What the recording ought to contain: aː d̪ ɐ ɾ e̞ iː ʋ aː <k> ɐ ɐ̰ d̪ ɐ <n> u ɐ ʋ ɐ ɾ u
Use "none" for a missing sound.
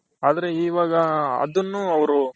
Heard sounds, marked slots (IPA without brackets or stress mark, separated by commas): ɡ, nː